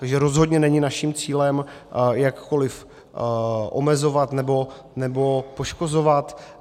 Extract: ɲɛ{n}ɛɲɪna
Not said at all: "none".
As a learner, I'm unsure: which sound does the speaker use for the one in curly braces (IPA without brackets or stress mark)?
n